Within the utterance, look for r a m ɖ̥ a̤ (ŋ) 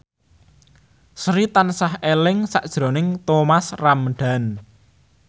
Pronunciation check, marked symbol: incorrect: n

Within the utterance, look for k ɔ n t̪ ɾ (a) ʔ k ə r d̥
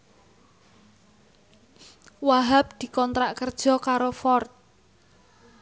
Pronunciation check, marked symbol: correct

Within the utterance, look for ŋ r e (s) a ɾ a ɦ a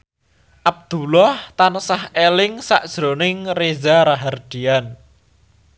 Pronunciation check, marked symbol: incorrect: z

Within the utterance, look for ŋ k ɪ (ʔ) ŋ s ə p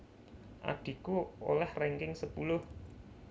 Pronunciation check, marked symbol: incorrect: none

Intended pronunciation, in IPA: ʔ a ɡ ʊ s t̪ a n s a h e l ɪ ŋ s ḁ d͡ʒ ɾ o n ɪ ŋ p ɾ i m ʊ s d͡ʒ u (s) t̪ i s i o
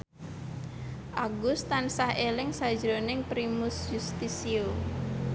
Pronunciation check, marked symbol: correct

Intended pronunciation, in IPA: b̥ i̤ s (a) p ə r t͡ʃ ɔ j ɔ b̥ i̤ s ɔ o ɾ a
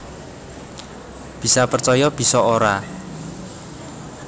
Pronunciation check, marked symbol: correct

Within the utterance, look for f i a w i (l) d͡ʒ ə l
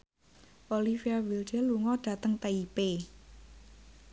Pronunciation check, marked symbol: correct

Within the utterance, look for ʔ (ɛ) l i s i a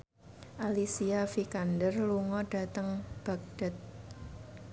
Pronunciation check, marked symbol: incorrect: a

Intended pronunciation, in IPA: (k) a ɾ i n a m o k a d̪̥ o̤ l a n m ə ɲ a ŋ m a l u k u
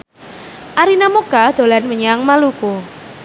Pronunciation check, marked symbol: incorrect: ʔ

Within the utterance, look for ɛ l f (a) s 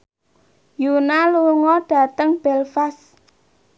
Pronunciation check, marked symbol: correct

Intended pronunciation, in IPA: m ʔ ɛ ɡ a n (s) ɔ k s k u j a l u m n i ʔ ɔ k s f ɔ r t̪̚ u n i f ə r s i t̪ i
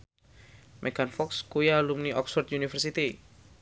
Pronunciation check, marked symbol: incorrect: f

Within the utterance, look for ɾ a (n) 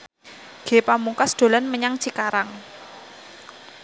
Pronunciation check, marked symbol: incorrect: ŋ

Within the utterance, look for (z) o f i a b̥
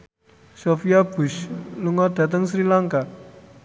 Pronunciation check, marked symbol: incorrect: s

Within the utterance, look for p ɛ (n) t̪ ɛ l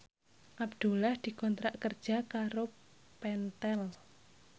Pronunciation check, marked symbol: correct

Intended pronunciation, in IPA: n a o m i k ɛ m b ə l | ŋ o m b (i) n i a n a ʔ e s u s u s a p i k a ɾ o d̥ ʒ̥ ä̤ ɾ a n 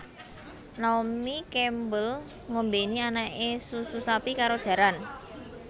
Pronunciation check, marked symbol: incorrect: e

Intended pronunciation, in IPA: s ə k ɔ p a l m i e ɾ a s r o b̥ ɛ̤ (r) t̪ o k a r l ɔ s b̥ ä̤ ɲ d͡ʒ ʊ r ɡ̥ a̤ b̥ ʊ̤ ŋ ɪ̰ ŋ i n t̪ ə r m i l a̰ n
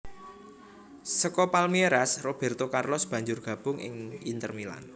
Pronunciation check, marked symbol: correct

